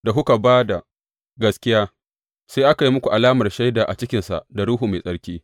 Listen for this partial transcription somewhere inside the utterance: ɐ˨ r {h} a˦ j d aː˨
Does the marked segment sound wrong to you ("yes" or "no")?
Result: yes